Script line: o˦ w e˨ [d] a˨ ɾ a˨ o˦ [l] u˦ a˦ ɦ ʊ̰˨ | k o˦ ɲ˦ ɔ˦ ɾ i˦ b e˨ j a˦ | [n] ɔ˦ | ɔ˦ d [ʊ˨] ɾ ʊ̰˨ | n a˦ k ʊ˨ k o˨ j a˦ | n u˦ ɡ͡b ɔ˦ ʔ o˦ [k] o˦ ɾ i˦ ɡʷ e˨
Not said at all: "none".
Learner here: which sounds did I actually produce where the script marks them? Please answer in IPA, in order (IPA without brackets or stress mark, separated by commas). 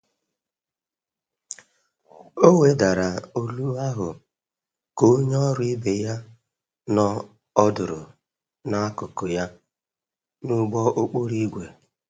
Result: d, l, n, ʊ˨, k͡p